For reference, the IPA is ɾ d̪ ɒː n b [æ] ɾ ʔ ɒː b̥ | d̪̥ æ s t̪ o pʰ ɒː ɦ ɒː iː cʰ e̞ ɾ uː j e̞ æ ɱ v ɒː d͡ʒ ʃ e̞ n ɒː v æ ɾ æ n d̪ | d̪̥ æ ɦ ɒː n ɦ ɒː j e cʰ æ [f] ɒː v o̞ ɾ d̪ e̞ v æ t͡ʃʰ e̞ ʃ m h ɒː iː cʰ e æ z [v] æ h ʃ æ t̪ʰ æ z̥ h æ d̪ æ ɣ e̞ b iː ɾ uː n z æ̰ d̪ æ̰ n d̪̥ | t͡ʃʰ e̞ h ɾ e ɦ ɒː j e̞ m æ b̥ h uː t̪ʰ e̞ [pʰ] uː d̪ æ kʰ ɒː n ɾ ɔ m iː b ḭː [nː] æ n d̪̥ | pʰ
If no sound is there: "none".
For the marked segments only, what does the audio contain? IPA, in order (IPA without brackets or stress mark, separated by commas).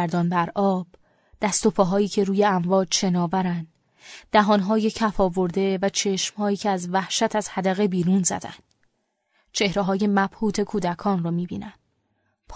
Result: æ, f, v, kʰ, n